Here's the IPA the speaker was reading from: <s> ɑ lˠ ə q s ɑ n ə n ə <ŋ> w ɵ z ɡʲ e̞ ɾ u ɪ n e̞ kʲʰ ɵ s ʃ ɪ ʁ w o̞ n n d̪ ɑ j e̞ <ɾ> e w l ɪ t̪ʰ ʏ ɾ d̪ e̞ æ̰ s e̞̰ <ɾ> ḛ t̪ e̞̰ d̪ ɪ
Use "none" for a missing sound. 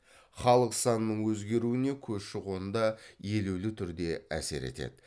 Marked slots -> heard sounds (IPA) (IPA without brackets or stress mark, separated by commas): χ, ɴ, l, ɾ